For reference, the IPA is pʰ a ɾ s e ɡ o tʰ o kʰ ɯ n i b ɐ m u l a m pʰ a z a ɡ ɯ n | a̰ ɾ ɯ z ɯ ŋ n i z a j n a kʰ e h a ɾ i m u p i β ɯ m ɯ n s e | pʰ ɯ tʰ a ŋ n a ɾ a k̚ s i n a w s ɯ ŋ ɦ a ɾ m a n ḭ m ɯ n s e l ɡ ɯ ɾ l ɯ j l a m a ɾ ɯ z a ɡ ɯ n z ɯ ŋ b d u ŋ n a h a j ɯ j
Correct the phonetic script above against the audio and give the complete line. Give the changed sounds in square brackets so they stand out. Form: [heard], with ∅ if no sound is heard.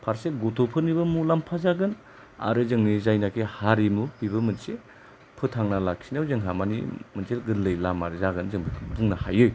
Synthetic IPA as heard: pʰ a ɾ s e ɡ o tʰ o [pʰ] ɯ n i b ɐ m u l a m pʰ a z a ɡ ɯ n | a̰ ɾ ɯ z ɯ ŋ n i z a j n a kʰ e h a ɾ i m u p i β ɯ m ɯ n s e | pʰ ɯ tʰ a ŋ n a [l] a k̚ s i n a w [z] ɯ ŋ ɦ a [∅] m a n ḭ m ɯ n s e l ɡ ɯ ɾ l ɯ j l a m a ɾ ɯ z a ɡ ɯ n z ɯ ŋ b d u ŋ n a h a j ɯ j